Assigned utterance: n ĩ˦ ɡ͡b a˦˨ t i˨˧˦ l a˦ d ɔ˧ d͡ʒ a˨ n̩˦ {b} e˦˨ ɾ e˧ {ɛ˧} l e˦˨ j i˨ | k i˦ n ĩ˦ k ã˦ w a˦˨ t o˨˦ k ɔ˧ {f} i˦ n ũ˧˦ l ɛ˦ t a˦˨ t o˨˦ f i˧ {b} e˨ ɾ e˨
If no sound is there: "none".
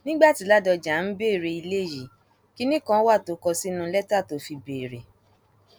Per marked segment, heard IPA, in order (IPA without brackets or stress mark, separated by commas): b, i˧, s, b